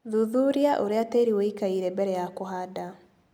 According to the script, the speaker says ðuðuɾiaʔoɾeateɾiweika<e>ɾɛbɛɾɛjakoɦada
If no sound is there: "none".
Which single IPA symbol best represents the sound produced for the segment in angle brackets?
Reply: i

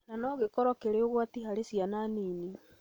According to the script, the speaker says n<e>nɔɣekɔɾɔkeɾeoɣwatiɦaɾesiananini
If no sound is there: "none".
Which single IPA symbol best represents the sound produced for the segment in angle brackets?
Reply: a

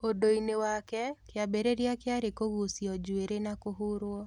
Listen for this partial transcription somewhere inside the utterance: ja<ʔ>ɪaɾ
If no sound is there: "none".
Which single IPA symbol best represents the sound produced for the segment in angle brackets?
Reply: k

